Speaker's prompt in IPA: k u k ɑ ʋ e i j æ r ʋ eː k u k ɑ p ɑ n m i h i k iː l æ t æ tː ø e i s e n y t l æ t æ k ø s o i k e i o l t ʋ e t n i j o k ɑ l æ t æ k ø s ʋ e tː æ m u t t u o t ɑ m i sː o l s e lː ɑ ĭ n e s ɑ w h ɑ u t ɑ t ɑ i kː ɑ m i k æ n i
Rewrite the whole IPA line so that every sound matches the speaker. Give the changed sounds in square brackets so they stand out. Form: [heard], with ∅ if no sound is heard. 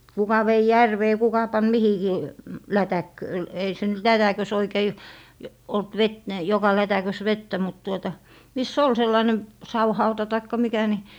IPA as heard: k u k ɑ ʋ e i j æ r ʋ eː k u k ɑ p ɑ n m i h i k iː l æ t æ [kː] ø e i s e n y t l æ t æ k ø s o i k e i o l t ʋ e t n i j o k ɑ l æ t æ k ø s ʋ e tː æ m u t t u o t ɑ m i sː o l s e lː ɑ ĭ n e s ɑ w h ɑ u t ɑ t ɑ i kː ɑ m i k æ n i